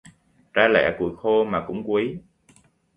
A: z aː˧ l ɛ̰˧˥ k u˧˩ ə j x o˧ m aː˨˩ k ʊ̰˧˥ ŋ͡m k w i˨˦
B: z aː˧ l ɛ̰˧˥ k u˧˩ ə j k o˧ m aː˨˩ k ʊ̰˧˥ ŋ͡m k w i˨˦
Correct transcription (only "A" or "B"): A